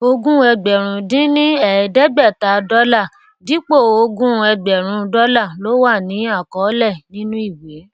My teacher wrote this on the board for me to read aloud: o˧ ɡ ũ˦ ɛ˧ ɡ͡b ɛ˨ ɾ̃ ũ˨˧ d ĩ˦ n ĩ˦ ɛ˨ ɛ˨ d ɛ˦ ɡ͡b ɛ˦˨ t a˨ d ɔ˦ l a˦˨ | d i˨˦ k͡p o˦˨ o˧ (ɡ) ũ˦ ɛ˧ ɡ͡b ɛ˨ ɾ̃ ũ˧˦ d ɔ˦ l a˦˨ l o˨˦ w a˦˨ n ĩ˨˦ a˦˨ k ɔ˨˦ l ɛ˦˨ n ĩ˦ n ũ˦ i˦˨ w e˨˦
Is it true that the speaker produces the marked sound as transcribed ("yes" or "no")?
yes